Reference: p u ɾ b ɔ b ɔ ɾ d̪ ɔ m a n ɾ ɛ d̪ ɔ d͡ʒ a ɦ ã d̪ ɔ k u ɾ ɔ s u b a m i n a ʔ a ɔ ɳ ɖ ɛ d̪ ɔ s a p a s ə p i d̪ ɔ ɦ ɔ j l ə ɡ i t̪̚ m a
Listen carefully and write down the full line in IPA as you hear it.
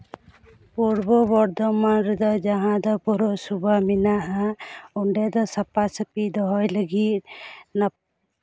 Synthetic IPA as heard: p u ɾ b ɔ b ɔ ɾ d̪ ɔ m a n ɾ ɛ d̪ ɔ d͡ʒ a ɦ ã d̪ ɔ p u ɾ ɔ s u b a m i n a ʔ a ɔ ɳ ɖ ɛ d̪ ɔ s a p a s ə p i d̪ ɔ ɦ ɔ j l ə ɡ i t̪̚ n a